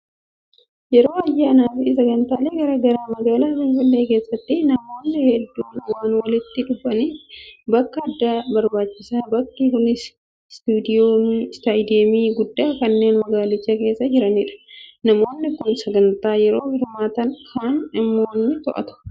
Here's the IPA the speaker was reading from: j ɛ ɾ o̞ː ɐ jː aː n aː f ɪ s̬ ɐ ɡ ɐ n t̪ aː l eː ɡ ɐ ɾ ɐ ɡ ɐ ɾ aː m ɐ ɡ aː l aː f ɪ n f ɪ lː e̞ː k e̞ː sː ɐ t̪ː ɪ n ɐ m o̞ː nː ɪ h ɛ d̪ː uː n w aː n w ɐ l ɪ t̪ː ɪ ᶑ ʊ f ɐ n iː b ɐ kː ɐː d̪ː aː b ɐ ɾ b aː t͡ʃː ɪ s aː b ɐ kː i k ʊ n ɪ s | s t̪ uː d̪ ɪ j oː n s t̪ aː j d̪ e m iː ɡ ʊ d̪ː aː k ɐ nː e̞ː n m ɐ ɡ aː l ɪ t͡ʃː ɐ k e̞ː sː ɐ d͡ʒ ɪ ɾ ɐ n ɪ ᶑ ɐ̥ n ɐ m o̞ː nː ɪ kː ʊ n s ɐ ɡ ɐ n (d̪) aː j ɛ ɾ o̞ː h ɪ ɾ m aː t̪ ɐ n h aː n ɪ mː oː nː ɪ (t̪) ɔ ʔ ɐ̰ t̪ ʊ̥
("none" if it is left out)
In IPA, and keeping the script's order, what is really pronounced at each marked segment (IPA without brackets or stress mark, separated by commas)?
t̪, t̪